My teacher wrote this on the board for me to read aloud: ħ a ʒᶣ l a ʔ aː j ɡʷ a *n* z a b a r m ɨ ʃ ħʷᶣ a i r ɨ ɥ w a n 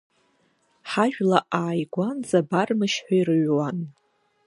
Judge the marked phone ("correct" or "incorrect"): correct